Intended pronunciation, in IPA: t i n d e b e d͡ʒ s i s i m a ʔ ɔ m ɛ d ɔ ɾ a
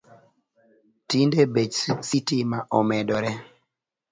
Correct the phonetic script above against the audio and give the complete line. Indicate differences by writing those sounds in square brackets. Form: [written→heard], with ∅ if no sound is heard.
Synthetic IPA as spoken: t i n d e b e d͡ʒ s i [s→t] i m a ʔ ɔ m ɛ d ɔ ɾ [a→ɛ]

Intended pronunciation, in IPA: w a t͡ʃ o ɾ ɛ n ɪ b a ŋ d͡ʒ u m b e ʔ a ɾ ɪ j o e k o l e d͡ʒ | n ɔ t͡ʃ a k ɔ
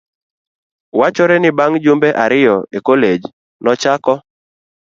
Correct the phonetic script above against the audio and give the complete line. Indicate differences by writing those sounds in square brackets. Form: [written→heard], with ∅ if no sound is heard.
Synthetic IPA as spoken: w a t͡ʃ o ɾ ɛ n ɪ b a ŋ d͡ʒ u m b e ʔ a ɾ ɪ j [o→ɔ] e k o l e d͡ʒ | n ɔ t͡ʃ a k ɔ

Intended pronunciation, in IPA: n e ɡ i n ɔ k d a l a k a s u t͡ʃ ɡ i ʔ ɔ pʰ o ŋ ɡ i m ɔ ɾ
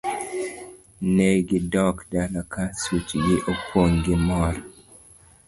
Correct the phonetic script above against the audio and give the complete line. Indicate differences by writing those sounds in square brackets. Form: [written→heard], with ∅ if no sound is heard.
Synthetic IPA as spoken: n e ɡ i [n→d] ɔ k d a l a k a s u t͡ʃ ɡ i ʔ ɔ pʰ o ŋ ɡ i m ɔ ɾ

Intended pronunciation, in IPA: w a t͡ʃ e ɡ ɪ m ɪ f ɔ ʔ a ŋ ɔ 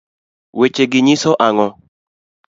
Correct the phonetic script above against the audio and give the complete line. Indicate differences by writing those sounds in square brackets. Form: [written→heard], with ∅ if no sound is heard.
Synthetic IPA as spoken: w [a→e] t͡ʃ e ɡ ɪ [m→ɲ] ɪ [f→s] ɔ ʔ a ŋ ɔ

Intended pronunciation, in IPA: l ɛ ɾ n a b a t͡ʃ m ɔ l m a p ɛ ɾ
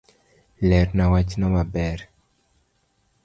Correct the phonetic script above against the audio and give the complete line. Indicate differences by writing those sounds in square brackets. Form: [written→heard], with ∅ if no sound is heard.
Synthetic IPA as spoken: l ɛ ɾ n a [b→w] a t͡ʃ [m→n] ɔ [l→∅] m a [p→b] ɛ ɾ

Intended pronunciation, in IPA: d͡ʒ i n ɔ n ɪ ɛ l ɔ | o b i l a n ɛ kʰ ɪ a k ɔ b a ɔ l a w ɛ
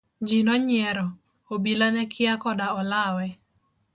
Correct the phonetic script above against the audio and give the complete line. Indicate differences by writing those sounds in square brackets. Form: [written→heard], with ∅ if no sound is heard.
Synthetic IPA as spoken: d͡ʒ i n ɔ [n→ɲ] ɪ ɛ [l→ɾ] ɔ | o b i l a n ɛ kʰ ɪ a k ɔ [b→d] a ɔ l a w ɛ

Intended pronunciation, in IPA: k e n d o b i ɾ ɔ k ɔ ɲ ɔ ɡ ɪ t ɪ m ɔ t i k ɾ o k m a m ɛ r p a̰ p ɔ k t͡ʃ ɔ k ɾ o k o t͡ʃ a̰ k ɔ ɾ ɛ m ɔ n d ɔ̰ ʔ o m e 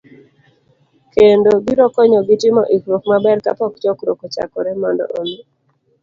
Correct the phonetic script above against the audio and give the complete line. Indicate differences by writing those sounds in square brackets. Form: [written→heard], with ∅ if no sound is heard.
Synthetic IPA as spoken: k e n d o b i ɾ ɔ k ɔ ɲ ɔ ɡ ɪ t ɪ m ɔ [t→ʔ] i k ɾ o k m a [m→b] ɛ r [p→k] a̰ p ɔ k t͡ʃ ɔ k ɾ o k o t͡ʃ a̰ k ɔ ɾ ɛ m ɔ n d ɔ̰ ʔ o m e

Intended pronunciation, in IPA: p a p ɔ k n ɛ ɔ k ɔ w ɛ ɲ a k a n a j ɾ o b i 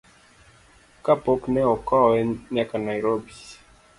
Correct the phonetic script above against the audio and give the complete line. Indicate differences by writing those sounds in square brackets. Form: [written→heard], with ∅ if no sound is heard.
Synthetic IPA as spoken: [p→k] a p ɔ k n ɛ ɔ k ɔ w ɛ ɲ a k a n a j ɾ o b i

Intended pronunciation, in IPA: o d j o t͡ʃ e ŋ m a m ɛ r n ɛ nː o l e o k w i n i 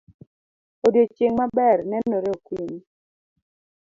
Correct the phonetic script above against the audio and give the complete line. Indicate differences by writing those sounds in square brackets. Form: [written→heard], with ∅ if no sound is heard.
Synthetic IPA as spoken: o d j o t͡ʃ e ŋ m a [m→b] ɛ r n ɛ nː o [l→ɾ] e o k w i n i

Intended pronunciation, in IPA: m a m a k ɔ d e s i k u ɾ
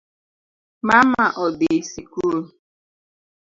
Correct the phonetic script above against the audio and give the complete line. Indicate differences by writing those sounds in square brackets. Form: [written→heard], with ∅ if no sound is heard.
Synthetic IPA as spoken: m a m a [k→ʔ] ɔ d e s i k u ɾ

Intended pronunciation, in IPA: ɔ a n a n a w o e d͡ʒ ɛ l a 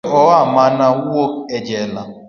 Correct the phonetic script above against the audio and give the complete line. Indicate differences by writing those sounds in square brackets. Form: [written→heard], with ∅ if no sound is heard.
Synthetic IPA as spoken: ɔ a [n→m] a n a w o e d͡ʒ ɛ l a

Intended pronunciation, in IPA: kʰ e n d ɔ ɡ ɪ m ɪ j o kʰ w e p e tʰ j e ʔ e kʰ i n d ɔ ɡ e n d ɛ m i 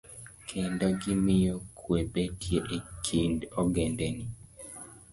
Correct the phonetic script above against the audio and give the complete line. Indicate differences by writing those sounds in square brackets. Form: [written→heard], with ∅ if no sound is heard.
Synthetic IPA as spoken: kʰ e n d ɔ ɡ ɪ m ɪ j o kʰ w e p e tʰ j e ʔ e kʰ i n d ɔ ɡ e n d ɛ [m→n] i

